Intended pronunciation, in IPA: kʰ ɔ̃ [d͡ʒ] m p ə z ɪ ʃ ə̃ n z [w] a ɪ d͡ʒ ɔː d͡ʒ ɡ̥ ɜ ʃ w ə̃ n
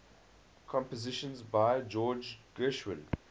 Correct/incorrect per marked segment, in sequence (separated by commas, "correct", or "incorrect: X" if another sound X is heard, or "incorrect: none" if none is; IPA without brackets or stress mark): incorrect: none, incorrect: b